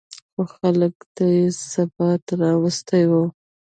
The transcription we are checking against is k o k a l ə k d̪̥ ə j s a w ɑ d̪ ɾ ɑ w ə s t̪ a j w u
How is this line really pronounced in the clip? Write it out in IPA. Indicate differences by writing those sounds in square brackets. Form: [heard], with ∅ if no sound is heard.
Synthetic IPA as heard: [x] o [x] a l ə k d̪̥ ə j s a [b] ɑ [t̪] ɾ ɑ w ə s t̪ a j w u